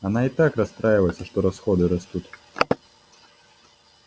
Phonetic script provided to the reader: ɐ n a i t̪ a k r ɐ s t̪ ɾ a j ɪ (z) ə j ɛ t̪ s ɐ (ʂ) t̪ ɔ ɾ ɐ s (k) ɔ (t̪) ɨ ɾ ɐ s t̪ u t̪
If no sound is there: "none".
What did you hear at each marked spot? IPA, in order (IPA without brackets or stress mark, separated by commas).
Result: v, ʂ, x, d̪